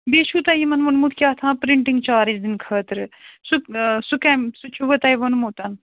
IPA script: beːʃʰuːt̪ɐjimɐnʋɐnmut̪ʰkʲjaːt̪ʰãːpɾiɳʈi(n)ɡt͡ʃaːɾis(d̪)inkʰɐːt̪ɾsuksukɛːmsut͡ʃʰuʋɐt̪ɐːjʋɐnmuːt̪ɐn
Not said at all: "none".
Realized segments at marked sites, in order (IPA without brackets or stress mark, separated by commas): ŋ, d̪